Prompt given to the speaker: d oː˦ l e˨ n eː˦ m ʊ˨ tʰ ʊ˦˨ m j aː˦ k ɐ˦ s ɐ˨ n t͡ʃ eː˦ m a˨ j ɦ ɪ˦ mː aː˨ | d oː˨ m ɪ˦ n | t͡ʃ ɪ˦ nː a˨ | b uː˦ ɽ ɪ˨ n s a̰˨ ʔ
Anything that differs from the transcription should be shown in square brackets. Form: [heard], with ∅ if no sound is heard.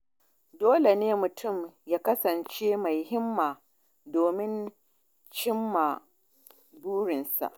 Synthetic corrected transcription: d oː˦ l e˨ n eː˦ m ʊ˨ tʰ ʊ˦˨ m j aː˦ k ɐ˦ s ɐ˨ n t͡ʃ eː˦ m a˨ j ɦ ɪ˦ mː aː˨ | d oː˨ m ɪ˦ n | t͡ʃ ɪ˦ [mː] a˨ | b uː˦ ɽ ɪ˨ n s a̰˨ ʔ